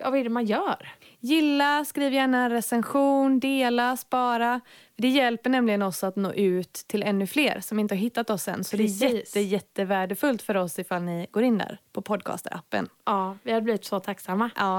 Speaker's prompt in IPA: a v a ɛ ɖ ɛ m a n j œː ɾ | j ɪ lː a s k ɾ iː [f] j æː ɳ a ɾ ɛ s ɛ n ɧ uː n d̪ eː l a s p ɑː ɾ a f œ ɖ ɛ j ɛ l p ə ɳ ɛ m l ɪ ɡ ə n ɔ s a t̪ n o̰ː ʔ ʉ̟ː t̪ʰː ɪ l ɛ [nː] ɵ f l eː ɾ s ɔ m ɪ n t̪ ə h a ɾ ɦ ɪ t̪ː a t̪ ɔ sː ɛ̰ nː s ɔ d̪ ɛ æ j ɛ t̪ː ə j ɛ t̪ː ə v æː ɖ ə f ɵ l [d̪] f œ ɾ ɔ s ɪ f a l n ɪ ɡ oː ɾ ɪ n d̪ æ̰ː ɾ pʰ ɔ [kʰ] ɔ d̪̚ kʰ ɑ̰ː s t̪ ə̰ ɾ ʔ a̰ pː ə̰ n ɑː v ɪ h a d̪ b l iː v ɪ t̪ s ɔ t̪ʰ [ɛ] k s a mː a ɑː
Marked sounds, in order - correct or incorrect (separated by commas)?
incorrect, correct, incorrect, incorrect, incorrect